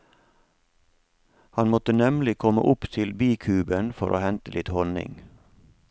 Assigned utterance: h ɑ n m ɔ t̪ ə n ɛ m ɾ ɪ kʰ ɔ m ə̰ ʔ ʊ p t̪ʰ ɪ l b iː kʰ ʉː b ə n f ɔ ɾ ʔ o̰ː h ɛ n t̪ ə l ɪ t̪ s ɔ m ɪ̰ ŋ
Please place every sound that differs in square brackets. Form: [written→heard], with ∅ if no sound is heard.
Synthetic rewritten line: h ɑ n m ɔ t̪ ə n ɛ m [ɾ→l] ɪ kʰ ɔ m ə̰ ʔ ʊ p t̪ʰ ɪ l b iː kʰ ʉː b ə n f ɔ ɾ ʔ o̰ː h ɛ n t̪ ə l ɪ t̪ [s→h] ɔ [m→n] ɪ̰ ŋ

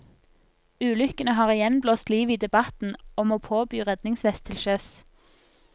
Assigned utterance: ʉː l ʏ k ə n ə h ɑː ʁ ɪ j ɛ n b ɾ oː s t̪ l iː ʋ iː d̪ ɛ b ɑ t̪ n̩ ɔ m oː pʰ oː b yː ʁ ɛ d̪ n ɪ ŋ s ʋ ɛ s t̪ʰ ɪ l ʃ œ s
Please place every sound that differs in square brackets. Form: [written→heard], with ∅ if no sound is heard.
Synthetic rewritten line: ʉː l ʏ k ə n ə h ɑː ʁ ɪ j ɛ n b [ɾ→l] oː s t̪ l iː ʋ iː d̪ ɛ b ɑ t̪ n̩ ɔ m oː pʰ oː b yː ʁ ɛ d̪ n ɪ ŋ s ʋ ɛ s t̪ʰ ɪ l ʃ œ s

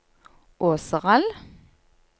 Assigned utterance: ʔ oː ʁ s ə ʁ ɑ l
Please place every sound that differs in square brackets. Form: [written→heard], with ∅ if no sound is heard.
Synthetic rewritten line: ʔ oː [ʁ→∅] s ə ʁ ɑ l

